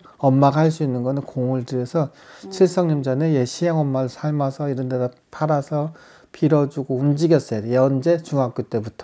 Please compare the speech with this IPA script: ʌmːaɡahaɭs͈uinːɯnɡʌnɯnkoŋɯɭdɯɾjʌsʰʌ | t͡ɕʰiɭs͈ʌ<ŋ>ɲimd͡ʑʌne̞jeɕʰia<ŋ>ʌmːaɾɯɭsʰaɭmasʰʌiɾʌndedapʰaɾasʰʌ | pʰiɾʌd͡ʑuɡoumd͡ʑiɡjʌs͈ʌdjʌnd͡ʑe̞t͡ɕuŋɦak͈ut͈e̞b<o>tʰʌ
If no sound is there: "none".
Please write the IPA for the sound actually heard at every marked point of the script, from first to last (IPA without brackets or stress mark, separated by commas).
ŋ, ŋ, u